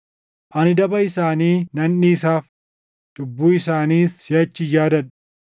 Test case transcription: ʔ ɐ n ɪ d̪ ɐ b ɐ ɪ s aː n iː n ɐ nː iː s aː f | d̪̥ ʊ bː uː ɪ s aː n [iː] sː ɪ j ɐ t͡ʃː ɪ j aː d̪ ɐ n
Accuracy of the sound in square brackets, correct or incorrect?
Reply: correct